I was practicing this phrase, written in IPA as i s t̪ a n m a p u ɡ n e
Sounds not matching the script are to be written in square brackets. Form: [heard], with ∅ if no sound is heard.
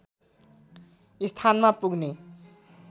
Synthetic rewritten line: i s [t̪ʰ] a n m a p u ɡ n e